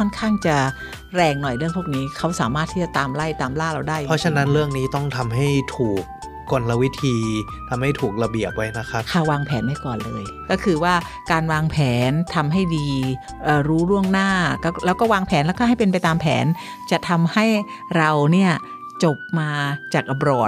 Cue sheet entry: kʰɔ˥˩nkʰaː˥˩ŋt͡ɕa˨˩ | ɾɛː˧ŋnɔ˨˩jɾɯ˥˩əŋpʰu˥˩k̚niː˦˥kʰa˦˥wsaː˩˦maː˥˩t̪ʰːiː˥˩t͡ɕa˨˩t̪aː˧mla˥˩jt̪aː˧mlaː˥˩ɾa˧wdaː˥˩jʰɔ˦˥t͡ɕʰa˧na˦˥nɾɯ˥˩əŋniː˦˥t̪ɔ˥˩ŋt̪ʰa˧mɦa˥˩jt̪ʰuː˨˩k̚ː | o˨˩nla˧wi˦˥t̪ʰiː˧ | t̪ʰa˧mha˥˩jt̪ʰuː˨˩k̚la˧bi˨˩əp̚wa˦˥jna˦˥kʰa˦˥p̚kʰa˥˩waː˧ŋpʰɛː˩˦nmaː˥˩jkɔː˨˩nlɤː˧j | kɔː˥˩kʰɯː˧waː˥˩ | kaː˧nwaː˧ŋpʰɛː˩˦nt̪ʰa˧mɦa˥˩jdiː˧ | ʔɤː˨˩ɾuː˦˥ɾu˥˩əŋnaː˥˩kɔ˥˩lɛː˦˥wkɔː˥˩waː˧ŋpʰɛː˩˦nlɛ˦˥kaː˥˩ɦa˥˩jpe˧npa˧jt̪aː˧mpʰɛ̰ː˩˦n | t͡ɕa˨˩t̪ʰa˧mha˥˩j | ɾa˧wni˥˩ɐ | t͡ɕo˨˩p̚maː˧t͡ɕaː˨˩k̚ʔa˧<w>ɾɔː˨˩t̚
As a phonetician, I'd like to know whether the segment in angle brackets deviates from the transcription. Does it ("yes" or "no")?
yes